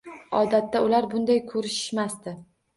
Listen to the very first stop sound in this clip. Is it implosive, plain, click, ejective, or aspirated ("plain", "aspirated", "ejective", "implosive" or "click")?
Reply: plain